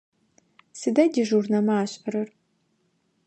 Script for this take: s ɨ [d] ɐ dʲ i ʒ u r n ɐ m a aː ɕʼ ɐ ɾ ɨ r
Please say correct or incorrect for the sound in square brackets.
correct